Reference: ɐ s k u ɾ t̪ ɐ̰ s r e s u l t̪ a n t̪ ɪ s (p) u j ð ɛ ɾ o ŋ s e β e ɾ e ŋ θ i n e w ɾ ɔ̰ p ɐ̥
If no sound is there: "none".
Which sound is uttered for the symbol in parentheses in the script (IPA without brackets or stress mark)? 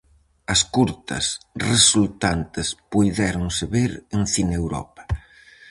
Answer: p